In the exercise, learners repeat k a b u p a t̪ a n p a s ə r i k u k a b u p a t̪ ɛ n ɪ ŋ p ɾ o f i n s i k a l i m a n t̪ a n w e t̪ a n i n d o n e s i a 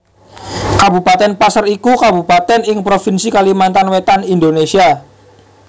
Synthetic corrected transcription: k a b u p a t̪ ɛ n p a s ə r i k u k a b u p a t̪ ɛ n ɪ ŋ p ɾ o f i n s i k a l i m a n t̪ a n w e t̪ a n i n d o n e s i a